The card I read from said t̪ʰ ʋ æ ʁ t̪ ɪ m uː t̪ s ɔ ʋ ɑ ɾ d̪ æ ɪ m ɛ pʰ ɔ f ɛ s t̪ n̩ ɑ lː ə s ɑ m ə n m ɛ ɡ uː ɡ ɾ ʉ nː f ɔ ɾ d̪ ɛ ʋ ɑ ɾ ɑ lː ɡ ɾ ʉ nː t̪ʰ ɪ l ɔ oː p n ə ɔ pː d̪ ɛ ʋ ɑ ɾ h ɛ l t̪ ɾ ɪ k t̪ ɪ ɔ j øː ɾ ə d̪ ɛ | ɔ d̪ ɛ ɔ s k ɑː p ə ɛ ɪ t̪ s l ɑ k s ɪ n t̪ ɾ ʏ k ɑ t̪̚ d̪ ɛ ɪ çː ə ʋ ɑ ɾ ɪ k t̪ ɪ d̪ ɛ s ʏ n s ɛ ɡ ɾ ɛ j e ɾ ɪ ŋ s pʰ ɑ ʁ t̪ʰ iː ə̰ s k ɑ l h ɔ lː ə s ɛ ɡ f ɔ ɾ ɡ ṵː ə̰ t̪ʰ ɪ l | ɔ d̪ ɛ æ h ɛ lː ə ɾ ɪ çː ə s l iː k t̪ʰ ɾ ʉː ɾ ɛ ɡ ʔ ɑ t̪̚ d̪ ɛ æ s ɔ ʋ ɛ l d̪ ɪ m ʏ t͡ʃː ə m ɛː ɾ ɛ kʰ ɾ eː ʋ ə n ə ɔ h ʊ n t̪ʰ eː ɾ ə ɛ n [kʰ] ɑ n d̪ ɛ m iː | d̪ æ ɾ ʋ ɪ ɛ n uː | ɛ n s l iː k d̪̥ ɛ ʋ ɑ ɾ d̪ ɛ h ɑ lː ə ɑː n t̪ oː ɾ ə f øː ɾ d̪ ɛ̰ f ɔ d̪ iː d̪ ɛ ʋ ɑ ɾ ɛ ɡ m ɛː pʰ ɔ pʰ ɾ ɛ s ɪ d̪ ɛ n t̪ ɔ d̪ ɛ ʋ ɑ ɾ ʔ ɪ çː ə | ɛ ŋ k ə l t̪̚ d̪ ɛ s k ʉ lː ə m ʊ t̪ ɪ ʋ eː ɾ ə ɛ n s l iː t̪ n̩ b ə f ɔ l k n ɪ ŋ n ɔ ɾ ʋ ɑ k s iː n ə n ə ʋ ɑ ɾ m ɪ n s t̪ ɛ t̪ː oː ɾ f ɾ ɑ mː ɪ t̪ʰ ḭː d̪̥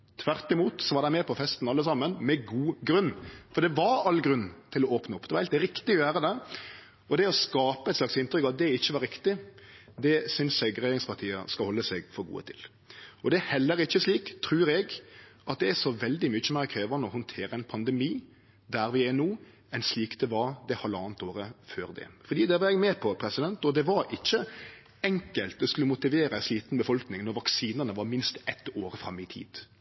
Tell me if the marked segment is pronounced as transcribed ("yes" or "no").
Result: no